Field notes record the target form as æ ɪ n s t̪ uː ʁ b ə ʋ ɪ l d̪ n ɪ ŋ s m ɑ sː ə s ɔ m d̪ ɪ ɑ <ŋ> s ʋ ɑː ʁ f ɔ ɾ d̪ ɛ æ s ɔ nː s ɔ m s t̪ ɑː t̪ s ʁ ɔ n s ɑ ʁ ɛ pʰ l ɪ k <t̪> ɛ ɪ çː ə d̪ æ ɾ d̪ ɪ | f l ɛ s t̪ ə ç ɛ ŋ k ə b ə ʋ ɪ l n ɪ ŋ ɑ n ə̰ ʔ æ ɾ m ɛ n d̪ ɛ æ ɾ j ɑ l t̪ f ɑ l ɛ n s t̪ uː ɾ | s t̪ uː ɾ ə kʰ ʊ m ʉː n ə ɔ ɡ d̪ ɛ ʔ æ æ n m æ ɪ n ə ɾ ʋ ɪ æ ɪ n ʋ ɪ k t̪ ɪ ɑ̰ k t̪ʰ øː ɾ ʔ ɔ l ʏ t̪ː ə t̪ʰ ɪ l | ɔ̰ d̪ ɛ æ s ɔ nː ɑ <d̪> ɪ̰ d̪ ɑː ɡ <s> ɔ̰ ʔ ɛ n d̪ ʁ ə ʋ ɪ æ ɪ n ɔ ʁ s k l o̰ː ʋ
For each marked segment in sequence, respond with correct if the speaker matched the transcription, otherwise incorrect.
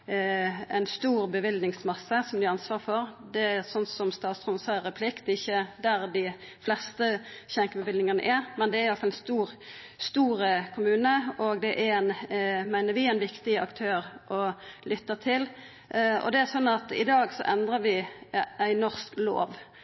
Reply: incorrect, correct, incorrect, correct

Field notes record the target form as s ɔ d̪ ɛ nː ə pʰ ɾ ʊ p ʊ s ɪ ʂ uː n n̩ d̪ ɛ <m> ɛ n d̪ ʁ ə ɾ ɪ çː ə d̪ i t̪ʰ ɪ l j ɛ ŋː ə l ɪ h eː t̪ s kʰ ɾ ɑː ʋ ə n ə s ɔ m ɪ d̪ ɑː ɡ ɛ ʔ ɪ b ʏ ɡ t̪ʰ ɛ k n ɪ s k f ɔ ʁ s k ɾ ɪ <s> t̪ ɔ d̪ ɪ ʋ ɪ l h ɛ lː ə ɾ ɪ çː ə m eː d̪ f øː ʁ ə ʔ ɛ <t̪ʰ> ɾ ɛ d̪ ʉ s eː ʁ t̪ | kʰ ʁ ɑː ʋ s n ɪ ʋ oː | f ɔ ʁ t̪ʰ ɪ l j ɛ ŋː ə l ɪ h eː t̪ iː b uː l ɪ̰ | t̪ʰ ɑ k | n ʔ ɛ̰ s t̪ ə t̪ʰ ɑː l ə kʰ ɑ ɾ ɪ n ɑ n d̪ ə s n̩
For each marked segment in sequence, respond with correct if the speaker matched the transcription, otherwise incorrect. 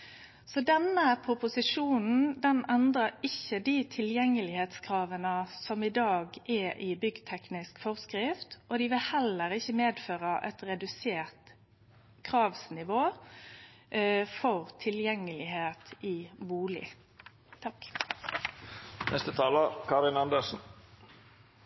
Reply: incorrect, incorrect, incorrect

